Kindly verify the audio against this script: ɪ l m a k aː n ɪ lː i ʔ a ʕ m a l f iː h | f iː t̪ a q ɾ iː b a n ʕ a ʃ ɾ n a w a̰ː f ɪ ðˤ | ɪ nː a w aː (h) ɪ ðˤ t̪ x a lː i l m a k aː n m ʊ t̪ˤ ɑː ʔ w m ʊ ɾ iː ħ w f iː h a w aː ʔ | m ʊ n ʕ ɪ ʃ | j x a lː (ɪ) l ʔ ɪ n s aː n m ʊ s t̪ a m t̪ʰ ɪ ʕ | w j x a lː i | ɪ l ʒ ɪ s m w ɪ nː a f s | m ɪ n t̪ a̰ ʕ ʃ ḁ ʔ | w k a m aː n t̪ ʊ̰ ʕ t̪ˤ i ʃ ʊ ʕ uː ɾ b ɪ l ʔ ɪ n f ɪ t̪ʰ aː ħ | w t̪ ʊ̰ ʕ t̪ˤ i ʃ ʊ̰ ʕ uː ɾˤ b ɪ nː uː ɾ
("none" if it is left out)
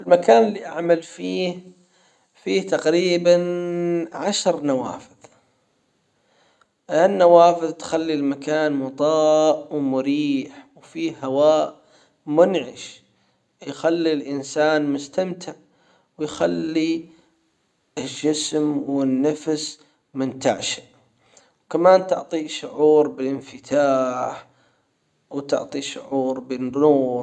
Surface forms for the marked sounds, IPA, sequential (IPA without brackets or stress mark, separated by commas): f, i